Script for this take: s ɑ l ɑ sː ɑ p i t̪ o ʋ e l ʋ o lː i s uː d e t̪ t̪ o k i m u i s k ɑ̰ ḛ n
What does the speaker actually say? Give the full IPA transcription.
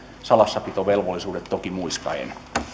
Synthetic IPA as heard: s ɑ l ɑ sː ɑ p i t̪ o ʋ e l ʋ o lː i s uː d e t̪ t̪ o k i m u i s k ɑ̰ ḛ n

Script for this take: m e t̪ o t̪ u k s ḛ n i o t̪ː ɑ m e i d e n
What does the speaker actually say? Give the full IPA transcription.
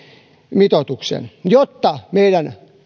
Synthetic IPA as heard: m i t̪ o t̪ u k s ḛ n j o t̪ː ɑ m e i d æ n

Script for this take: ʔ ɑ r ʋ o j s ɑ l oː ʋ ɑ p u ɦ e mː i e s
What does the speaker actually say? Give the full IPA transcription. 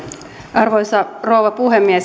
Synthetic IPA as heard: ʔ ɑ r ʋ o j s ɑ r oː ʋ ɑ p u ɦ e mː i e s

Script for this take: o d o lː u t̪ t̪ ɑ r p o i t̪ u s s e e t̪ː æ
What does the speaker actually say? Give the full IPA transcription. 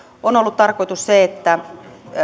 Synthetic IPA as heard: o n o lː u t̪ t̪ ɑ r k o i t̪ u s s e e t̪ː æ

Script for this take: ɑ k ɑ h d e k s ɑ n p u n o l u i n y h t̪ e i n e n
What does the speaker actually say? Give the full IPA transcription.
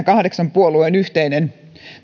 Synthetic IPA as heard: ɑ k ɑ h d e k s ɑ m p u o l u e n y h t̪ e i n e n

